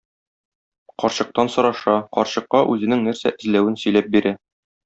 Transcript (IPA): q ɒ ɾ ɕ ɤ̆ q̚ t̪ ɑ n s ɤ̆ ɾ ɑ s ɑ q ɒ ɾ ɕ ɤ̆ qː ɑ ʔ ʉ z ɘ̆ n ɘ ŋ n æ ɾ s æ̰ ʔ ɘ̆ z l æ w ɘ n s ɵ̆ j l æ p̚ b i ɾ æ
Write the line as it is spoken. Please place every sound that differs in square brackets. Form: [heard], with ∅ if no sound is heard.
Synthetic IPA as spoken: q ɒ ɾ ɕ ɤ̆ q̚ t̪ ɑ n s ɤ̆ ɾ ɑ [ʃ] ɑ q ɒ ɾ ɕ ɤ̆ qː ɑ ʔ ʉ z ɘ̆ n ɘ ŋ n æ ɾ s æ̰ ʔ ɘ̆ z l æ w ɘ n s ɵ̆ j l æ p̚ b i ɾ æ